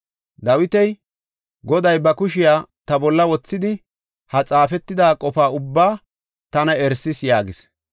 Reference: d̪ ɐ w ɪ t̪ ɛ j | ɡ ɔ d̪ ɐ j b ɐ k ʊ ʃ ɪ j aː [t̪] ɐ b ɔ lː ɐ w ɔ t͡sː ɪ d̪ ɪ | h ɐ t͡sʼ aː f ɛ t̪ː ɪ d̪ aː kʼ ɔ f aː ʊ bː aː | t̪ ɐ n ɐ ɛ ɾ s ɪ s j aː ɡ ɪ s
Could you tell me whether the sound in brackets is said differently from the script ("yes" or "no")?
no